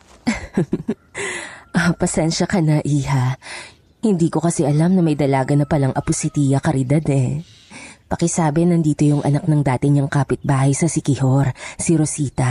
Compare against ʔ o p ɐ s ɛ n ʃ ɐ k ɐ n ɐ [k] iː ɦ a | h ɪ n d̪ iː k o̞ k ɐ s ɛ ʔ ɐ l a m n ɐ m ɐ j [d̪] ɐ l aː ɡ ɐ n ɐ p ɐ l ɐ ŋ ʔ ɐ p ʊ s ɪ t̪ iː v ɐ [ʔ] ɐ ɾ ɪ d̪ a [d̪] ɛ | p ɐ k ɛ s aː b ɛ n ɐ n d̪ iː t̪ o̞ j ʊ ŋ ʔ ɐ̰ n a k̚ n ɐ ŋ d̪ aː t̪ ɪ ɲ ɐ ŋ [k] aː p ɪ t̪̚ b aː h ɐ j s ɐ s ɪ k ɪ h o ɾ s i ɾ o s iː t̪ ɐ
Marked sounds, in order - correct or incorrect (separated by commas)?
incorrect, correct, incorrect, correct, correct